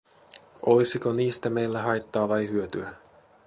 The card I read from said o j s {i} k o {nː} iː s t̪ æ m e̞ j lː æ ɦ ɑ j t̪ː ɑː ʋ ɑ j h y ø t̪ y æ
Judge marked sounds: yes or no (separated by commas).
yes, no